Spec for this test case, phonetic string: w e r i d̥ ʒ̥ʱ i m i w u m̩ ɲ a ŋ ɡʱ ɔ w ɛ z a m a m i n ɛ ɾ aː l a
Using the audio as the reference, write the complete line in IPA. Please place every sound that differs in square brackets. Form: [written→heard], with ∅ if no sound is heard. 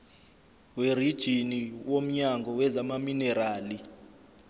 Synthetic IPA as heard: w e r i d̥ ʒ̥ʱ i [m→n] i w [u→o] m̩ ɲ a ŋ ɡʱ ɔ w ɛ z a m a m i n ɛ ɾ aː l [a→i]